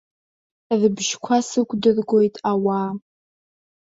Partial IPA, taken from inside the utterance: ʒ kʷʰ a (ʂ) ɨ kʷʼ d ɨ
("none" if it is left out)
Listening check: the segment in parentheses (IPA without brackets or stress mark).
s